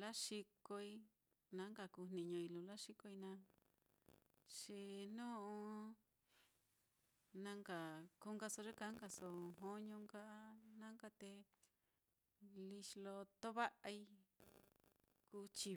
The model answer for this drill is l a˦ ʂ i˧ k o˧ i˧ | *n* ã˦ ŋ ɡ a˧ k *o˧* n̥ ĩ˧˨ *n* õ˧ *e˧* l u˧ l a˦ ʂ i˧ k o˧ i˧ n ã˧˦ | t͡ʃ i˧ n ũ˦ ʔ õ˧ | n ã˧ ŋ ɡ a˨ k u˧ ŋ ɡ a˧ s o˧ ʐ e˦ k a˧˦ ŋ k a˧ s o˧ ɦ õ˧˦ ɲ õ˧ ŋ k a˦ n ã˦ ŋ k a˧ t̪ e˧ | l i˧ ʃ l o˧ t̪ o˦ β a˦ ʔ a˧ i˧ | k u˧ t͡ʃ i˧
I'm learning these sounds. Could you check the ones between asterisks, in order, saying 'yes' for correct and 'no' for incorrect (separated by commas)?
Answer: yes, no, no, no